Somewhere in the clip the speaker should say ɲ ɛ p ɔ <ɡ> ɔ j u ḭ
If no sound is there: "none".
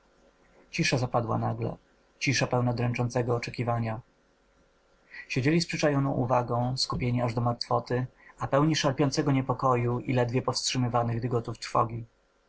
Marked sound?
k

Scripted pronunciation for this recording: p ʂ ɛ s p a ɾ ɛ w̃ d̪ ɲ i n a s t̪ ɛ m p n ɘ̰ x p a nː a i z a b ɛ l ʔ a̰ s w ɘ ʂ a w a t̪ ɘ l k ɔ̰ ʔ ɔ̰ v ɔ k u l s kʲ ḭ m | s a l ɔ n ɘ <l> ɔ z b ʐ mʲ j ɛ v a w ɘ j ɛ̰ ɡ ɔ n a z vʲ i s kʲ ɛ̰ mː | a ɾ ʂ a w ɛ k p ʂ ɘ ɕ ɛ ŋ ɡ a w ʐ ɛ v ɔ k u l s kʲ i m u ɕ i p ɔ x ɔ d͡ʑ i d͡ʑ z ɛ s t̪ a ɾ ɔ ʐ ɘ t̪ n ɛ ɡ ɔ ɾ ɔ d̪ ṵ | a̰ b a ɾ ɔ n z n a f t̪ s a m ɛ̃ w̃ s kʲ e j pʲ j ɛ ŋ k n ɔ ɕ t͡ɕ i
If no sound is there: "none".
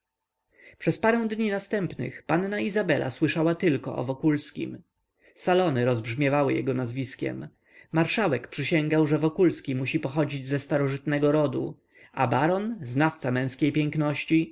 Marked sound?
ɾ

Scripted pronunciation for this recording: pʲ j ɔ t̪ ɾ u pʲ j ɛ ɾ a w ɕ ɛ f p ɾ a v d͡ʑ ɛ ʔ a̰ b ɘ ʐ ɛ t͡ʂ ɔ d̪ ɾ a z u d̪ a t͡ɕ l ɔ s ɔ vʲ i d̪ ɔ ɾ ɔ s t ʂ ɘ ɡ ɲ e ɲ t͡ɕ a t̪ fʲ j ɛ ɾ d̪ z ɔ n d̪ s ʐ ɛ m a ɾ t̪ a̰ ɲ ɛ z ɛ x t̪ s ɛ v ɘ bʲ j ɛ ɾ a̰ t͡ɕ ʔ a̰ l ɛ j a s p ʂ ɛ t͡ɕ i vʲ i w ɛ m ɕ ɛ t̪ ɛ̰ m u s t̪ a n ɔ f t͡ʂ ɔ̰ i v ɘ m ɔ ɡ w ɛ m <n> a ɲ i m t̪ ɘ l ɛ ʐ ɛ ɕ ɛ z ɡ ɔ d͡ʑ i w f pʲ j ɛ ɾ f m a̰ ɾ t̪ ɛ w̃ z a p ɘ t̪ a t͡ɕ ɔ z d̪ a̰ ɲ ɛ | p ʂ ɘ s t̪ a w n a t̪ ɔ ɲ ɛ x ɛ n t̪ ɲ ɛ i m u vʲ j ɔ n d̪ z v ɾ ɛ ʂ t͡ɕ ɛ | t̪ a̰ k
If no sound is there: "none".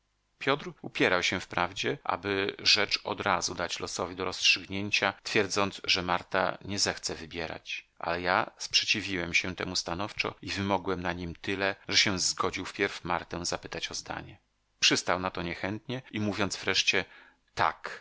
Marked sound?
n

